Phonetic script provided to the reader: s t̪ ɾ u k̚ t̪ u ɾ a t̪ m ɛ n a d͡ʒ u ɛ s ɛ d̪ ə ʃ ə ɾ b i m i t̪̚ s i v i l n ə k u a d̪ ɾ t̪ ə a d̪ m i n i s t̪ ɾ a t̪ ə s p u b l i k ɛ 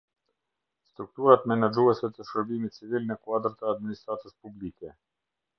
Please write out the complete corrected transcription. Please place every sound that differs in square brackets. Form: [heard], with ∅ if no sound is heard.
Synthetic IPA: s t̪ ɾ u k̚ t̪ u ɾ a t̪ m ɛ n a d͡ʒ u ɛ s ɛ [t̪] ə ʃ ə ɾ b i m i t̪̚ [t͡s] i v i l n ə k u a d̪ ɾ t̪ ə a d̪ m i n i s t̪ ɾ a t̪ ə s p u b l i k ɛ